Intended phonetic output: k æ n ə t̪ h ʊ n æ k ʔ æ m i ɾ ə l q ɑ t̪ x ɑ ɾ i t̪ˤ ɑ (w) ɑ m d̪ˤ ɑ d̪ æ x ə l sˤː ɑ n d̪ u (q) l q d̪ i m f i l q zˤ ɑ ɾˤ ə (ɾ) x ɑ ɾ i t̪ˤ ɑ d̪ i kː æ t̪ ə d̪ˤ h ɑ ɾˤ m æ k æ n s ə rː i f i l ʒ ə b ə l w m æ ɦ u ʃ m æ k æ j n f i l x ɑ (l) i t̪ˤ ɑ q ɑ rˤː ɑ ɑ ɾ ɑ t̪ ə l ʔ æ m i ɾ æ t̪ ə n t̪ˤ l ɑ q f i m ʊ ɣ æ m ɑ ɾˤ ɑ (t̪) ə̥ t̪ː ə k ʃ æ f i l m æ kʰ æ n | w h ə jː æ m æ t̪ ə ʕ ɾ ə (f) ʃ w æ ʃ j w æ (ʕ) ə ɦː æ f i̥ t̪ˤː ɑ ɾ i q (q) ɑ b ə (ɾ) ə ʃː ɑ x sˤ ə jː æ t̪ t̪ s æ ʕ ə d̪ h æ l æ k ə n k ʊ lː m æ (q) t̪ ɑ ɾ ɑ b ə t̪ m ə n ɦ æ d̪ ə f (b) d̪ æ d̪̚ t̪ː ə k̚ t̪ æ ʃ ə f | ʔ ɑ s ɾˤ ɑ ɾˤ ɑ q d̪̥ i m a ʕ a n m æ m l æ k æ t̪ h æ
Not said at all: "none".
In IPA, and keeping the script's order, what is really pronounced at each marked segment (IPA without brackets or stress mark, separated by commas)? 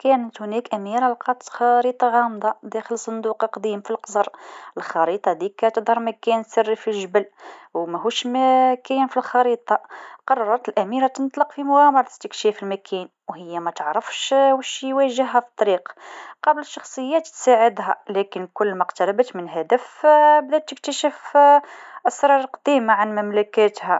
ɣ, q, l, ɾ, t̪, f, ʒ, q, l, q, b